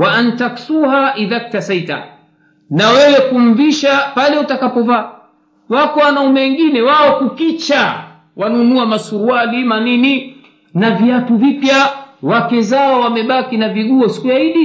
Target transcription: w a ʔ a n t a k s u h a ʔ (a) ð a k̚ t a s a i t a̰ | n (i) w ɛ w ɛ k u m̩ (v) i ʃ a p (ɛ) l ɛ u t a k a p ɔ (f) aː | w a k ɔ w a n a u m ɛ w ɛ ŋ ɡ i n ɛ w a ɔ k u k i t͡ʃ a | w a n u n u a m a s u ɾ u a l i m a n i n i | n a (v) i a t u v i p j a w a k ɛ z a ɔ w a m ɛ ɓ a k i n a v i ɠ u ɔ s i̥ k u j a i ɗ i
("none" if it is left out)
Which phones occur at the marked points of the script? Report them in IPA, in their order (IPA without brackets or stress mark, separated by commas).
i, a, v, a, v, v